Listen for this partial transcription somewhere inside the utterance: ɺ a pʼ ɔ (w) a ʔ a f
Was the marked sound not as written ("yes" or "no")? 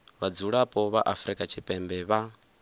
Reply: yes